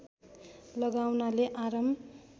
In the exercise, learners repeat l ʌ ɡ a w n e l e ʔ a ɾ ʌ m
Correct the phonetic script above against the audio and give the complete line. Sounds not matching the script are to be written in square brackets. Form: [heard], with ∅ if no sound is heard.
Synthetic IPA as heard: l ʌ ɡ a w n [a] l e ʔ a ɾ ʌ m